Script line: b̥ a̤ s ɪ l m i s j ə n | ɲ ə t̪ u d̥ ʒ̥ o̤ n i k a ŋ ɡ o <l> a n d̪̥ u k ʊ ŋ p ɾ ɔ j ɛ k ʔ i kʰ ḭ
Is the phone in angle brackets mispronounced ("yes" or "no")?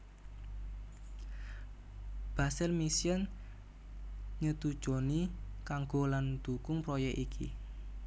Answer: no